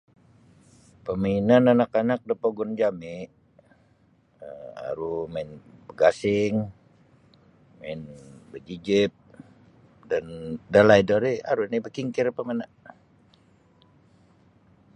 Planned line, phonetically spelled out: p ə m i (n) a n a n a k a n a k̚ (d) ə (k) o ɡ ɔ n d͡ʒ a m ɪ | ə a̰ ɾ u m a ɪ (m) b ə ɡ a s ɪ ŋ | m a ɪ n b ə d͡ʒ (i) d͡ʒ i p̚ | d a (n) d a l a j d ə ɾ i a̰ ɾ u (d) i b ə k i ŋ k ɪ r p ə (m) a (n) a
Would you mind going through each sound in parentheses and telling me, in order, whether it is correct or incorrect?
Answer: correct, correct, incorrect: p, incorrect: n, correct, correct, incorrect: n, correct, correct

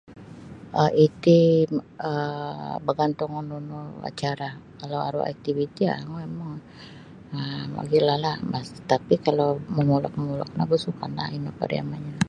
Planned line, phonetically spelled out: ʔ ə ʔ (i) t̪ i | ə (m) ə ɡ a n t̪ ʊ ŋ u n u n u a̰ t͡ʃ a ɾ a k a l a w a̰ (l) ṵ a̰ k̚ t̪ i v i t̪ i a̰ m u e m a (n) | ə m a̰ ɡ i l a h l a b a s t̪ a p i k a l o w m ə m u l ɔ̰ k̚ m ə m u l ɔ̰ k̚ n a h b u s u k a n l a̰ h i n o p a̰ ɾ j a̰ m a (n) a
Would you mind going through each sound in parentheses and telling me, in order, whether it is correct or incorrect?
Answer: correct, incorrect: b, incorrect: ɾ, incorrect: ŋ, incorrect: ɲ

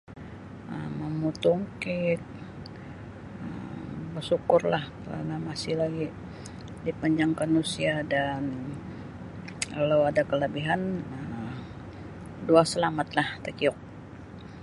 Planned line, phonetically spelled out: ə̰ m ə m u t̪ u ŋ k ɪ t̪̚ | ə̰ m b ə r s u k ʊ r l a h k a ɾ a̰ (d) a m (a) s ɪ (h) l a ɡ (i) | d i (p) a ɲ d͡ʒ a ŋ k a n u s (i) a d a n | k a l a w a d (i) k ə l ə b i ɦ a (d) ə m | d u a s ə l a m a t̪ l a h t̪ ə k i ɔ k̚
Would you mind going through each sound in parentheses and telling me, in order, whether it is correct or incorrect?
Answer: incorrect: n, correct, correct, correct, correct, correct, incorrect: a, incorrect: n

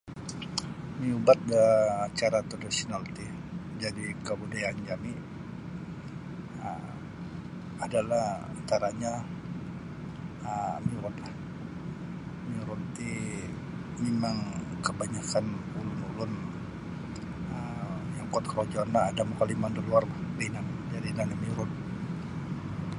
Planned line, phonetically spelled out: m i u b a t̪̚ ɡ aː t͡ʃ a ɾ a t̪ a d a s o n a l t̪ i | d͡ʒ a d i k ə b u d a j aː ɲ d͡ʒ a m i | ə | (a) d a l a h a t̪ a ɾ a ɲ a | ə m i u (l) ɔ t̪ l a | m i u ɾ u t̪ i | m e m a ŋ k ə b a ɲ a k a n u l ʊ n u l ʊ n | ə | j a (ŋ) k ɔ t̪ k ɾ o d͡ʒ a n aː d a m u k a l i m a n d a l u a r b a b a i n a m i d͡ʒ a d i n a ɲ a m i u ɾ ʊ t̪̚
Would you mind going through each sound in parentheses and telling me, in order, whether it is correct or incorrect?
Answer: correct, incorrect: ɾ, correct

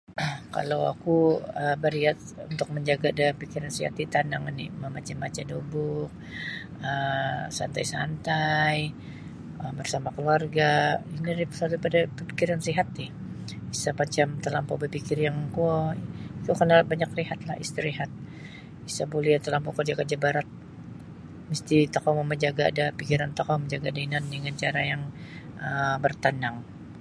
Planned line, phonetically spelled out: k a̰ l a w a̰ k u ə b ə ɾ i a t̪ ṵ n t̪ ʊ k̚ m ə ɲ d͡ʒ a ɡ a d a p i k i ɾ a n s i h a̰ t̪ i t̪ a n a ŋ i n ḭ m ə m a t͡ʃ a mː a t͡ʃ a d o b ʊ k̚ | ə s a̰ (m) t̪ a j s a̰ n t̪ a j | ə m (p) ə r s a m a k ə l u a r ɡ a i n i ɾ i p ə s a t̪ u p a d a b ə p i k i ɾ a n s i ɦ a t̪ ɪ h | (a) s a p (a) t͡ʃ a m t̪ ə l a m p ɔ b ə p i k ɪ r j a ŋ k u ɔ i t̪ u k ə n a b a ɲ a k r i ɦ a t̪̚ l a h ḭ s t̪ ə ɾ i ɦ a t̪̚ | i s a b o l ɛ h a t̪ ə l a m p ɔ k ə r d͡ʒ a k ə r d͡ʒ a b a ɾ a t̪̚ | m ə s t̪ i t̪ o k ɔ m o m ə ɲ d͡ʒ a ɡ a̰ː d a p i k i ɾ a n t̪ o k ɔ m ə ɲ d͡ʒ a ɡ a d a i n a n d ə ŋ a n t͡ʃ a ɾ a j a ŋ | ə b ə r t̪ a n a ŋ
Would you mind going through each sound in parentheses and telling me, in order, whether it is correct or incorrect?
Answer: incorrect: n, incorrect: b, incorrect: i, correct

